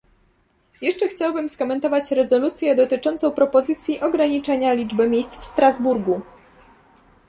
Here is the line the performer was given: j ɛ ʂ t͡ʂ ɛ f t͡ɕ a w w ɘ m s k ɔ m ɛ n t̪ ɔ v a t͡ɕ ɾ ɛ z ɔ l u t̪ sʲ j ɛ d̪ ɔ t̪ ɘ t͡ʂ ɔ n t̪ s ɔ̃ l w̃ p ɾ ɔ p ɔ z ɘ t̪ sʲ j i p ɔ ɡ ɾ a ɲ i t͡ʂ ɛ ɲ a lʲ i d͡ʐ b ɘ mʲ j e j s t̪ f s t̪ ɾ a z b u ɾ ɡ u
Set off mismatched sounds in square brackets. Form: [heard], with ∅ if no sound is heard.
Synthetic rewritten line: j ɛ ʂ t͡ʂ ɛ [x] t͡ɕ a w [b] ɘ m s k ɔ m ɛ n t̪ ɔ v a t͡ɕ ɾ ɛ z ɔ l u t̪ sʲ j ɛ d̪ ɔ t̪ ɘ t͡ʂ ɔ n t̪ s ɔ̃ [∅] w̃ p ɾ ɔ p ɔ z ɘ t̪ sʲ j i [ʔ] ɔ ɡ ɾ a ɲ i t͡ʂ ɛ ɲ a lʲ i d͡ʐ b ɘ mʲ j e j s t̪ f s t̪ ɾ a z b u ɾ ɡ u